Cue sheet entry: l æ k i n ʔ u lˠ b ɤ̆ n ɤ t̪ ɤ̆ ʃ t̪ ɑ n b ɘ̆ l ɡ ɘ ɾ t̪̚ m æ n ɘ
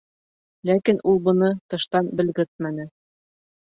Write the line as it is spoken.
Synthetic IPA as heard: l æ k i n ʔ u lˠ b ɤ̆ n ɤ t̪ ɤ̆ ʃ t̪ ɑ n b ɘ̆ l ɡ ɘ ɾ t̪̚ m æ n ɘ